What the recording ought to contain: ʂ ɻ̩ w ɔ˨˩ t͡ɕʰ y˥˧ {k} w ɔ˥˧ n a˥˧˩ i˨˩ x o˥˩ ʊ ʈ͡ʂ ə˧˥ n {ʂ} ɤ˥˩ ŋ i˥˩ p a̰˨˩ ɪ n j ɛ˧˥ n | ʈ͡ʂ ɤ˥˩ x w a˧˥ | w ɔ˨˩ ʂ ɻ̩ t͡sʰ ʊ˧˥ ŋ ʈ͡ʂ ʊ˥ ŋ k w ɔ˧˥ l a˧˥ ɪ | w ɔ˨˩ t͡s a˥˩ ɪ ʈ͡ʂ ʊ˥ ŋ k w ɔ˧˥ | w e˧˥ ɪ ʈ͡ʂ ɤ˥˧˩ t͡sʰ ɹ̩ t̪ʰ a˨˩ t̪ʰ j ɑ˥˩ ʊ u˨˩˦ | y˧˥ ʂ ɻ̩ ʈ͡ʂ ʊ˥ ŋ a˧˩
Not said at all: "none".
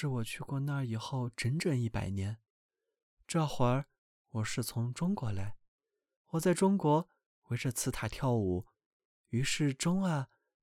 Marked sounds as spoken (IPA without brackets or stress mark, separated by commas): k, ʈ͡ʂ